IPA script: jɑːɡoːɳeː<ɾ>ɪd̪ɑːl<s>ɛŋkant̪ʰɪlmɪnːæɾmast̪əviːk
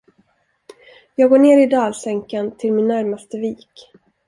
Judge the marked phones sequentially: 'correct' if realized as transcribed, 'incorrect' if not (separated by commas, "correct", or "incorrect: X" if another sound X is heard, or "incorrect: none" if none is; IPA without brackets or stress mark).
correct, correct